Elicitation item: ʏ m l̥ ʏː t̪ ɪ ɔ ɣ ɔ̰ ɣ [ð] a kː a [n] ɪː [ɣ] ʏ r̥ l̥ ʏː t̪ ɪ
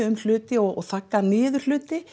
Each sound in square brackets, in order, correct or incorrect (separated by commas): incorrect, correct, incorrect